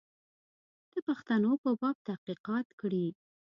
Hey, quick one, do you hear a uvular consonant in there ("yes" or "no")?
yes